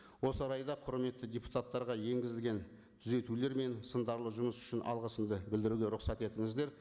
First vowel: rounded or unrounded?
rounded